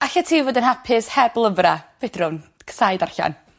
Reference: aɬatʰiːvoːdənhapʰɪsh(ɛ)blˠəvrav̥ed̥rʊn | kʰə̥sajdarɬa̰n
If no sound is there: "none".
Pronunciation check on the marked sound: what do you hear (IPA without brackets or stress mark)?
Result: ɛ